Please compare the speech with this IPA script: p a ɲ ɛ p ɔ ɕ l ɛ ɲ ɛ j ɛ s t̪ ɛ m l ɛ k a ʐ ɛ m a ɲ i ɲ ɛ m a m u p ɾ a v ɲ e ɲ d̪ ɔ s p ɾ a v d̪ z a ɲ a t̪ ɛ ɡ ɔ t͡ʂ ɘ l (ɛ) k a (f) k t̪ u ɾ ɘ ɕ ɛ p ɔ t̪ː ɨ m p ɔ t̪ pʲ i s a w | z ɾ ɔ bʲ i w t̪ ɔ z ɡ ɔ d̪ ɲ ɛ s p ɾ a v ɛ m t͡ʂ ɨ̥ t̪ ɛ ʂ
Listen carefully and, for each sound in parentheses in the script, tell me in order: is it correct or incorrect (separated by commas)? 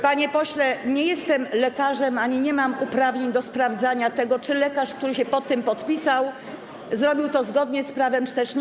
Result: correct, incorrect